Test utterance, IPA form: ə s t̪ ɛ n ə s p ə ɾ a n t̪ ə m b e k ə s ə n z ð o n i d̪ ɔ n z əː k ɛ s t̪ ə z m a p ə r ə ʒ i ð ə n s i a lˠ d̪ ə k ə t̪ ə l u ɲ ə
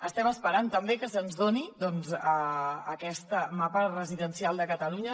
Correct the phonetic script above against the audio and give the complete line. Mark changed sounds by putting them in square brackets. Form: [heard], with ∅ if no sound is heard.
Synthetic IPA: ə s t̪ ɛ [m] ə s p ə ɾ a n t̪ ə m b e k ə s ə n z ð o n i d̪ ɔ n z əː k ɛ s t̪ ə [∅] m a p ə r ə [z] i ð ə n s i a lˠ d̪ ə k ə t̪ ə l u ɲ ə